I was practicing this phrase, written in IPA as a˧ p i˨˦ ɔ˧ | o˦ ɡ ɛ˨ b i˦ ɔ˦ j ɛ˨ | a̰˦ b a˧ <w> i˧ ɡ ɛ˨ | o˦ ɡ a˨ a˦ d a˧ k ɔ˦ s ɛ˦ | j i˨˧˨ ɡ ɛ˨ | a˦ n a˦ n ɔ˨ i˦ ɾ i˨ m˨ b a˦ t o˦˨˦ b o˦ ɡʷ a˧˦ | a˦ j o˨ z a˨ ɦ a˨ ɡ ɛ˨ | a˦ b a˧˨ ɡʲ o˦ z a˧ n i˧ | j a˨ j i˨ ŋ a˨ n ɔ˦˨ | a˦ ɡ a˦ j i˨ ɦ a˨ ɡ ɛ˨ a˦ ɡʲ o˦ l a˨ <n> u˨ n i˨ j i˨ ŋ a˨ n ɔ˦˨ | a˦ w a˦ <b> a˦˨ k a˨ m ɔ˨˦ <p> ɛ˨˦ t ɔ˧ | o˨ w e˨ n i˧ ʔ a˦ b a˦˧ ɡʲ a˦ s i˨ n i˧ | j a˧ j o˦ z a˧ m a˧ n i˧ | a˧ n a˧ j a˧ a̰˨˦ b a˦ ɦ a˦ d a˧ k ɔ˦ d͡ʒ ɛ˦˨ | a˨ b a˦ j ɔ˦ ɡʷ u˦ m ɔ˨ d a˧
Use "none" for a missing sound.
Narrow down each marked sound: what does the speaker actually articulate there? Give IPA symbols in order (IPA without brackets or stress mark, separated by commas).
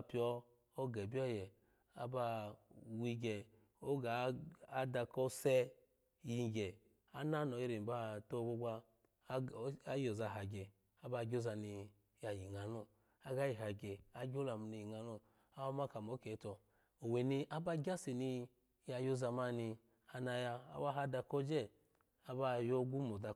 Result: w, m, m, k